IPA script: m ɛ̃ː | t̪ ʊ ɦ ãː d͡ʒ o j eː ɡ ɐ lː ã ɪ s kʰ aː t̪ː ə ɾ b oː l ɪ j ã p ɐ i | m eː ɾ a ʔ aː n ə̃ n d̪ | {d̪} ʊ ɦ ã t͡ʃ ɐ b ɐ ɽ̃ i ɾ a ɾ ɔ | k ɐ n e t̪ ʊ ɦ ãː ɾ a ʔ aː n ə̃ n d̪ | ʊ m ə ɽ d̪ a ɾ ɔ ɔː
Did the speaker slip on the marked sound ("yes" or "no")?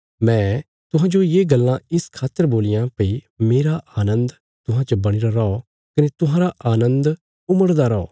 yes